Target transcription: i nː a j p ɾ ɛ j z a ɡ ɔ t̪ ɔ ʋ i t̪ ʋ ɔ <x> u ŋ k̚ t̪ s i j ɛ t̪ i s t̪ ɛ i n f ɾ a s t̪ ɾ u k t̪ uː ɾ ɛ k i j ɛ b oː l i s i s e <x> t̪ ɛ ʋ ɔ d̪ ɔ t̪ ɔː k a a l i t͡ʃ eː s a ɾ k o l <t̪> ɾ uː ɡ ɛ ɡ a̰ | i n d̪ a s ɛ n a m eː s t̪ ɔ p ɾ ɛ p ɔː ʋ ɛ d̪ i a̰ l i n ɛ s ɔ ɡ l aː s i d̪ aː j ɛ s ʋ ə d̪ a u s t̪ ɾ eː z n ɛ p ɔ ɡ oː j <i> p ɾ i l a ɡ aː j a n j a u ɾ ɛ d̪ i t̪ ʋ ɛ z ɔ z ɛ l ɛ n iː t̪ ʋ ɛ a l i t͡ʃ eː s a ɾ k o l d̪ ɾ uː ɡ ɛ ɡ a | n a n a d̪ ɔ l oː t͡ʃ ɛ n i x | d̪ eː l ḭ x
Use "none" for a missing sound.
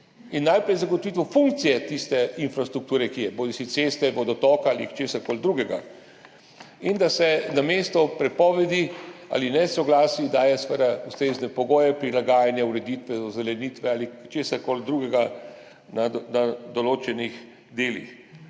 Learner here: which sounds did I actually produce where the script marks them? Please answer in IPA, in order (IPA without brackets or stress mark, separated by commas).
f, s, d̪, ɛ